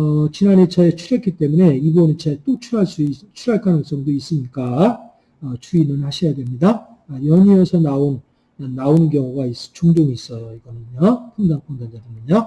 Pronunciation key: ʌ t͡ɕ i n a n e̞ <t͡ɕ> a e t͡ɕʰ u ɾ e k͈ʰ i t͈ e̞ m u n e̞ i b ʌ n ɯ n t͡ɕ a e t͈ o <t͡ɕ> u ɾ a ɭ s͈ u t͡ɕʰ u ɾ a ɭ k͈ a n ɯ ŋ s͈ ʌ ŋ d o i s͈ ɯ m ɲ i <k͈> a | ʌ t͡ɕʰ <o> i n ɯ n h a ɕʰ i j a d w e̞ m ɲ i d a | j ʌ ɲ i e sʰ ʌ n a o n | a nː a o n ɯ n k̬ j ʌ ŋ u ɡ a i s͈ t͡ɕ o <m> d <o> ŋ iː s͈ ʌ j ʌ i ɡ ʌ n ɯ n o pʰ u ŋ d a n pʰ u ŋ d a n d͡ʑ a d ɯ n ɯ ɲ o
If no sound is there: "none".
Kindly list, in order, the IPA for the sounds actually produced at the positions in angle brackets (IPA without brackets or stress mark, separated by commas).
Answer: t͡ɕ, t͡ɕʰ, k͈, u, ŋ, o